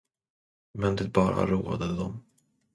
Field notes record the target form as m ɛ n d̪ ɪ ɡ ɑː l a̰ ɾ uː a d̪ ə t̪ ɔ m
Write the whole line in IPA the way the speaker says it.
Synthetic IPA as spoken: m ɛ n d̪ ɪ b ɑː ɾ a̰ ɾ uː a d̪ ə d̪ ɔ m